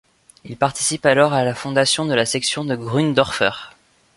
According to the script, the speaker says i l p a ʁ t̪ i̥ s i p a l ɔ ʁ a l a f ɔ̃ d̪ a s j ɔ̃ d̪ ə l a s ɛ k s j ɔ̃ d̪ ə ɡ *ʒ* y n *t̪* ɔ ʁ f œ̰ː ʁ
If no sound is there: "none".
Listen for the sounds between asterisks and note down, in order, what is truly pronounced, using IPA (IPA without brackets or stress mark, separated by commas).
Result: ʁ, d̪